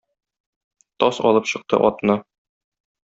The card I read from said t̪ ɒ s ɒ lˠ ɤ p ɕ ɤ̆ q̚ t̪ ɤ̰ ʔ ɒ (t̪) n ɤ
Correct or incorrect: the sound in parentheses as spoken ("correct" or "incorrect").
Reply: correct